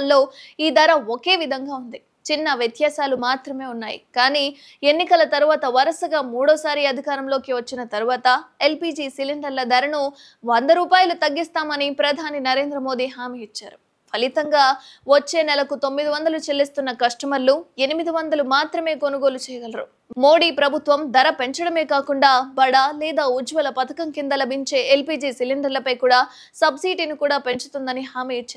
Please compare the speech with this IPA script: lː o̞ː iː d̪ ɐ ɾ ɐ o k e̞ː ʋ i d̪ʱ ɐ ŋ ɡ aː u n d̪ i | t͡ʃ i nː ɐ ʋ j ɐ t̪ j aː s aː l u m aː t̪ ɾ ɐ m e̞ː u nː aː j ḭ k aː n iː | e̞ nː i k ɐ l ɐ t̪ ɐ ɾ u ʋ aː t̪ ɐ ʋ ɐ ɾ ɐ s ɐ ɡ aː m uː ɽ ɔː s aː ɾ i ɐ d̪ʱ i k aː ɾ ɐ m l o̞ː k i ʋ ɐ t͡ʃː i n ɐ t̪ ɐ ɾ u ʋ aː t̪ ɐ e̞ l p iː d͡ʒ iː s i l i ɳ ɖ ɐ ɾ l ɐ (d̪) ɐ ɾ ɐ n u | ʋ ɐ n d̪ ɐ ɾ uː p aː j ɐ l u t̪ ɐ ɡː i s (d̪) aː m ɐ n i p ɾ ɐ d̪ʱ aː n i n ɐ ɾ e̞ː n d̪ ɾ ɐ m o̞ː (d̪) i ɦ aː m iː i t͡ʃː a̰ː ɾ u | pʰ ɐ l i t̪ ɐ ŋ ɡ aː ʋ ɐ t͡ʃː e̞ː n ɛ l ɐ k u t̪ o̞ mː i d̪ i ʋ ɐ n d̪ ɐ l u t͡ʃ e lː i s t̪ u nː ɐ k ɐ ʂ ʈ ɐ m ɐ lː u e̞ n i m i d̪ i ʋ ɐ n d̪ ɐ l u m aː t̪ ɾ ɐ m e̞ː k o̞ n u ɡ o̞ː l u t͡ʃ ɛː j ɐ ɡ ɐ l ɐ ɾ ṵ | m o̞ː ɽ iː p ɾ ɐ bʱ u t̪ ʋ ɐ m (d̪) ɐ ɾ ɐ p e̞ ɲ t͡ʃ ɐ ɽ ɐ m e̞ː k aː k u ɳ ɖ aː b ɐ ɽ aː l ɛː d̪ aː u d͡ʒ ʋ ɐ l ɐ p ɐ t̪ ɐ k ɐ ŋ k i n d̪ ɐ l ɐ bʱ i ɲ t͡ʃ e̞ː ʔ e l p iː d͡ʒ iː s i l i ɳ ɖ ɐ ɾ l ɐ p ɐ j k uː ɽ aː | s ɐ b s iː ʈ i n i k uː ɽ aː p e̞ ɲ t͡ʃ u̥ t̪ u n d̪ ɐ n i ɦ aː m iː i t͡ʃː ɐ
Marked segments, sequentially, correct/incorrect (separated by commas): correct, incorrect, correct, correct